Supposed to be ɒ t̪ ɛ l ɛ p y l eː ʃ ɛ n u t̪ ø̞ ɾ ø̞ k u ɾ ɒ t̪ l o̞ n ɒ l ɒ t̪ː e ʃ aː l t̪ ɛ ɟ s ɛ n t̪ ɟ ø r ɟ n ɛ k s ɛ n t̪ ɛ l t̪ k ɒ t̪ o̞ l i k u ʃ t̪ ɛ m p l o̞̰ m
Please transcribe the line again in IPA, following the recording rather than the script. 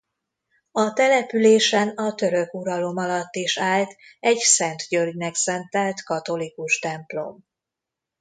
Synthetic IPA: ɒ t̪ ɛ l ɛ p y l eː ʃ ɛ n ɒ t̪ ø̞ ɾ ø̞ k u ɾ ɒ l o̞ m ɒ l ɒ t̪ː i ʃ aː l t̪ ɛ ɟ s ɛ n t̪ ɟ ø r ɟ n ɛ k s ɛ n t̪ ɛ l t̪ k ɒ t̪ o̞ l i k u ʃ t̪ ɛ m p l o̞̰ m